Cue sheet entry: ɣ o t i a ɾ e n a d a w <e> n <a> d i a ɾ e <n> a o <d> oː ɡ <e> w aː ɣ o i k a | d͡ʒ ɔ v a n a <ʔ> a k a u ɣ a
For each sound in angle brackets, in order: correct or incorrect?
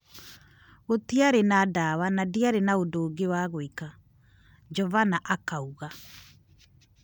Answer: incorrect: a, correct, correct, correct, correct, correct

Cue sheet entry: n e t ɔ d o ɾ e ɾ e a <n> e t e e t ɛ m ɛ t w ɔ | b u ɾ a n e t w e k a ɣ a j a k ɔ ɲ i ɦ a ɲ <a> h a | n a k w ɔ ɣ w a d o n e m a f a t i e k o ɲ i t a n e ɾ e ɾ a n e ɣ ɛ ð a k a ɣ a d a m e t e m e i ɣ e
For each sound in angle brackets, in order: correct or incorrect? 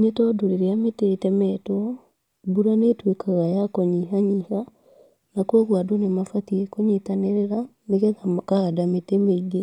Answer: incorrect: m, incorrect: i

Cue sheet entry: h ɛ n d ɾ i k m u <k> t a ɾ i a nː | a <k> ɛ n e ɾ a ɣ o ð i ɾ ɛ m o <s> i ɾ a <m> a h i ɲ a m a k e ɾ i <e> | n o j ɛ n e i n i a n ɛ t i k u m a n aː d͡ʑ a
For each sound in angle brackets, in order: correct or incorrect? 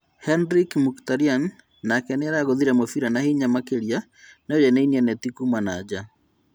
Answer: correct, correct, incorrect: f, incorrect: n, incorrect: a

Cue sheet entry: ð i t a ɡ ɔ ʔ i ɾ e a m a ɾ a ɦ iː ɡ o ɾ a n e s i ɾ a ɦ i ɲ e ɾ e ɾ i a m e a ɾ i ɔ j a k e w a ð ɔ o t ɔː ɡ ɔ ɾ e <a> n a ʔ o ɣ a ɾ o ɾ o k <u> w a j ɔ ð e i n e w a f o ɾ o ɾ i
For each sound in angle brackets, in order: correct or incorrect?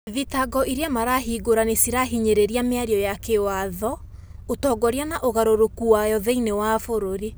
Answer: correct, correct

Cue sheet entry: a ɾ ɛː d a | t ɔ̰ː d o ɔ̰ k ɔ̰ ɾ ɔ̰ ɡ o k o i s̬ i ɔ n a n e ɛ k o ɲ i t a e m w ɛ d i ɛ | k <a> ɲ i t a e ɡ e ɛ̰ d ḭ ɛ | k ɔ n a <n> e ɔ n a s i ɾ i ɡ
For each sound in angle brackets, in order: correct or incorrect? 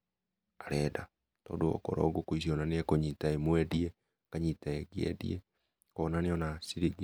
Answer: correct, correct

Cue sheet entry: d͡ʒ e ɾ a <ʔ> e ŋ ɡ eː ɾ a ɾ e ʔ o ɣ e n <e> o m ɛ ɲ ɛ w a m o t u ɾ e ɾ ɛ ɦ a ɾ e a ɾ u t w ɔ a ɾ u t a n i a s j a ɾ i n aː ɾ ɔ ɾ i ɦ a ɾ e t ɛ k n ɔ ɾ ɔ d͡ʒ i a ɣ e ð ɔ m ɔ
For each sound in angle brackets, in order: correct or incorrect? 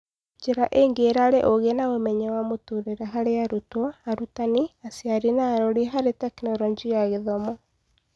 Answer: correct, incorrect: a

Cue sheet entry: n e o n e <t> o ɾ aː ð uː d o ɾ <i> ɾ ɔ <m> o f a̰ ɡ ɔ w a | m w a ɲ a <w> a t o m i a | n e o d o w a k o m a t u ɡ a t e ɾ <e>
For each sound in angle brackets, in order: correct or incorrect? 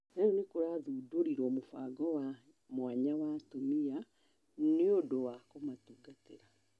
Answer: incorrect: k, correct, correct, correct, incorrect: a

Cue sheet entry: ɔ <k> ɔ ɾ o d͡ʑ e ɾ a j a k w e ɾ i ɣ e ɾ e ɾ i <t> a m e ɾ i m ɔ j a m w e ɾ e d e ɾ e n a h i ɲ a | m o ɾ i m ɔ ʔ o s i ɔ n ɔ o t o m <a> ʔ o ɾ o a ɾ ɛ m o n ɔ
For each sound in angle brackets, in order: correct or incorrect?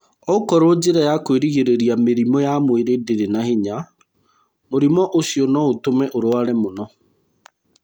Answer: correct, incorrect: none, incorrect: ɛ

